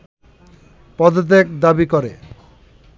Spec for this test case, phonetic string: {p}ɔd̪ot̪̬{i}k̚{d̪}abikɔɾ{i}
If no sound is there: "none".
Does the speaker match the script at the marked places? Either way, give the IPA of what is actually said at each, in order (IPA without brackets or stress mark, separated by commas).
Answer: p, e, d̪, e